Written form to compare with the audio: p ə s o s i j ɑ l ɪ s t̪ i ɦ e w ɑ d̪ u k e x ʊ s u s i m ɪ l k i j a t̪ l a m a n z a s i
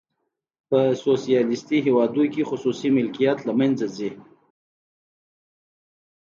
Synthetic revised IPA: p ə s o s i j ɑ l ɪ s t̪ i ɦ e w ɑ d̪ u k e x ʊ s u s i m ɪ l k i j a t̪ l a m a n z a z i